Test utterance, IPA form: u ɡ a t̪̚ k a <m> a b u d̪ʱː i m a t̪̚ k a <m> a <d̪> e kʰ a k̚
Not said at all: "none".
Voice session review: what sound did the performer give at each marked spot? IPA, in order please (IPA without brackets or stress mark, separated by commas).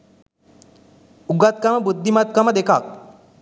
m, m, d̪